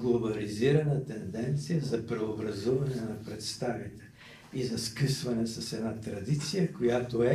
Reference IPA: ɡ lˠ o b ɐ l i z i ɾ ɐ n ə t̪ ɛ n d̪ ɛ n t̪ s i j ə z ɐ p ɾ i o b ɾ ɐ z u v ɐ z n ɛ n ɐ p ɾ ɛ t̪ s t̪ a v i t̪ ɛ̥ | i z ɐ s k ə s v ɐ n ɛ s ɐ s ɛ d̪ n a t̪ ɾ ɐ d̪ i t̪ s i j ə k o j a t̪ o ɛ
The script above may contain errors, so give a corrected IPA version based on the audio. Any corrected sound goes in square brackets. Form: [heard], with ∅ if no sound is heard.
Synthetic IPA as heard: ɡ lˠ o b ɐ l i z i ɾ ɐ n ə t̪ ɛ n d̪ ɛ n t̪ s i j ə z ɐ p ɾ [ɛ] o b ɾ ɐ z u v ɐ [∅] n ɛ n ɐ p ɾ ɛ t̪ s t̪ a v i t̪ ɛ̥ | i z ɐ s k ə s v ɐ n ɛ s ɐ s ɛ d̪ n a t̪ ɾ ɐ d̪ i t̪ s i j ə k o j a t̪ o ɛ